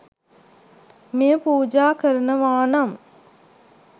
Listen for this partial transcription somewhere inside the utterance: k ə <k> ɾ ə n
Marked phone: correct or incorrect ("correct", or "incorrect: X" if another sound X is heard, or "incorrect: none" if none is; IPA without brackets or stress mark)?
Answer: incorrect: none